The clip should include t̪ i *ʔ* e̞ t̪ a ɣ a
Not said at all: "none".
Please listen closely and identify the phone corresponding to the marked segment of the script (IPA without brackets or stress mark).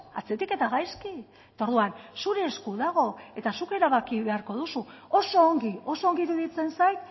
k